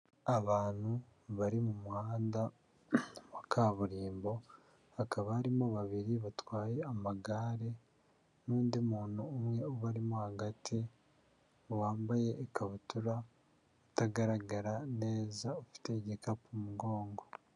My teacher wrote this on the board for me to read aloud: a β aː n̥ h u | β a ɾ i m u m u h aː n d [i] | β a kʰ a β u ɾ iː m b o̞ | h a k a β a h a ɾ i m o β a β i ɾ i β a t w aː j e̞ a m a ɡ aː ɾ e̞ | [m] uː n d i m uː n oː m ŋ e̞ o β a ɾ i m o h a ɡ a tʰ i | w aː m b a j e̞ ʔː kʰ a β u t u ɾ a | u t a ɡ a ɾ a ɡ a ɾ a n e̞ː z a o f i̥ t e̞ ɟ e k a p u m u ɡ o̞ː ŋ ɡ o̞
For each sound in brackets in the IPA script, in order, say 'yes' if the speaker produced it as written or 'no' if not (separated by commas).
no, no